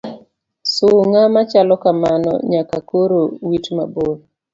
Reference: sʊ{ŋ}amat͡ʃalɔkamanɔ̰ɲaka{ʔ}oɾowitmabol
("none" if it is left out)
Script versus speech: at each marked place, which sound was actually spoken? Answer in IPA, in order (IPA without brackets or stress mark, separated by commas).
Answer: ŋ, k